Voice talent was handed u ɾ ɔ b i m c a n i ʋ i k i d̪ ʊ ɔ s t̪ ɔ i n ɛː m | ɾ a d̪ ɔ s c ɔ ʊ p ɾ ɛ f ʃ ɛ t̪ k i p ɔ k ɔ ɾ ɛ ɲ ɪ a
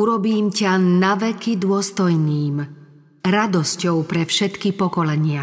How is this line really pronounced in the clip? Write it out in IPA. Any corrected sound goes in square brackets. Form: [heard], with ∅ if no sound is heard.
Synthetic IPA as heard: u ɾ ɔ b [iː] m c a n [a] ʋ [ɛ] k i d̪ ʊ ɔ s t̪ ɔ [j] n [iː] m | ɾ a d̪ ɔ s c ɔ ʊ p ɾ ɛ f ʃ ɛ t̪ k i p ɔ k ɔ [l] ɛ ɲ ɪ a